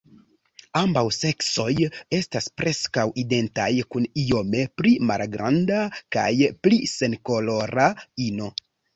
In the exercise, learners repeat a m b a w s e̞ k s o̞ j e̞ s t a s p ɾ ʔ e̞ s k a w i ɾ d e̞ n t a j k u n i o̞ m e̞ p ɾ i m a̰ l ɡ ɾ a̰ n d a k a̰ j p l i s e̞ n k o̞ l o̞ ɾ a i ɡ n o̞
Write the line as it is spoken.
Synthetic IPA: a m b a w s e̞ k s o̞ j e̞ s t a s p ɾ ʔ e̞ s k a w i d e̞ n t a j k u n i o̞ m e̞ p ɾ i m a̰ l ɡ ɾ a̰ n d a k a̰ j p l i s e̞ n k o̞ l o̞ ɾ a i n o̞